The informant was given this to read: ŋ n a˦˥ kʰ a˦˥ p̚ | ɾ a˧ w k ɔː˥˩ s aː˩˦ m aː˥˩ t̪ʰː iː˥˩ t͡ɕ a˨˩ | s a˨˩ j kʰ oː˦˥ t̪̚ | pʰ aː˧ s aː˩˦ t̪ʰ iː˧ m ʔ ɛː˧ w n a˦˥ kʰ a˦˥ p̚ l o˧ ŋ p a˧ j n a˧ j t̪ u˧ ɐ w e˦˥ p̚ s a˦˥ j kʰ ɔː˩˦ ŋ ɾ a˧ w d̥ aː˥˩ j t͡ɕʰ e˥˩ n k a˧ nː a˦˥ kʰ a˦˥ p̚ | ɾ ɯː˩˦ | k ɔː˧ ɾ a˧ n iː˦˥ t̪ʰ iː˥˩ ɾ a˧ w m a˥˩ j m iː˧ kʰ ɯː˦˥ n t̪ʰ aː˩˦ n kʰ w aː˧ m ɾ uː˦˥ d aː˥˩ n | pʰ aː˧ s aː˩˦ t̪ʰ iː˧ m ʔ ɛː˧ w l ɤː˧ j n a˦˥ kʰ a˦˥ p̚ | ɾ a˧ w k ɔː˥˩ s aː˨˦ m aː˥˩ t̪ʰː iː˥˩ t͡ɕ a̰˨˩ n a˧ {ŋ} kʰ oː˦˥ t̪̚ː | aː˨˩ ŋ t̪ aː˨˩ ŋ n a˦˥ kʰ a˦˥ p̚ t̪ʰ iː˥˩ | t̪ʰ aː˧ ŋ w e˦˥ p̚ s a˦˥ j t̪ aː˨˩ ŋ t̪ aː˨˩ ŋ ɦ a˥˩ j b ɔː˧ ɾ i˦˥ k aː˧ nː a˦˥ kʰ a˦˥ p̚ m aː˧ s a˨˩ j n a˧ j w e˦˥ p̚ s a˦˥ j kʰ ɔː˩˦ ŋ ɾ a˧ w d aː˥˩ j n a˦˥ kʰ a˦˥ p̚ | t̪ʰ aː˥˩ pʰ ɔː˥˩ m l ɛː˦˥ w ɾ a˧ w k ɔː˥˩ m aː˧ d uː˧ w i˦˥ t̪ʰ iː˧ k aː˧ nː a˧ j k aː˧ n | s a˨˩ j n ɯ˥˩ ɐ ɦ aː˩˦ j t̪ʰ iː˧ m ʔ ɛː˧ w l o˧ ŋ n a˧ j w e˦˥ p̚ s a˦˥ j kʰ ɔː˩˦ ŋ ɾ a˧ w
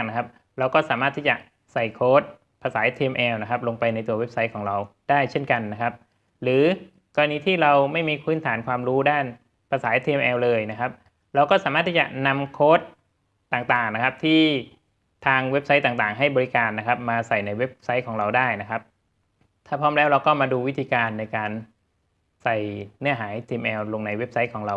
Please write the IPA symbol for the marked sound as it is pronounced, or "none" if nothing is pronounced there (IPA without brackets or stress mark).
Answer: m